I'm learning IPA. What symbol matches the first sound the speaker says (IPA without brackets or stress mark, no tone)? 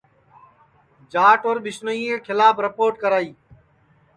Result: d͡ʒ